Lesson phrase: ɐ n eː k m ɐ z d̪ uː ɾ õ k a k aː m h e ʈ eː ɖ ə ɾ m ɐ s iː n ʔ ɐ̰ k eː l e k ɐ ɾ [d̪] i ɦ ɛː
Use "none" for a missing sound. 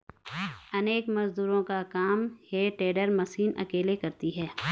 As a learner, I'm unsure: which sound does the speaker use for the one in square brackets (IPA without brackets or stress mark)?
t̪